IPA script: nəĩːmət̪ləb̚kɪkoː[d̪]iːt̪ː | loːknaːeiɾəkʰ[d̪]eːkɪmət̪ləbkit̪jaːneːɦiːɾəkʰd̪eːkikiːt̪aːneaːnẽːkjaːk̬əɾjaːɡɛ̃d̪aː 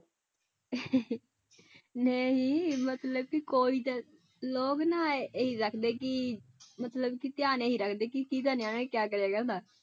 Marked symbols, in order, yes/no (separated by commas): no, yes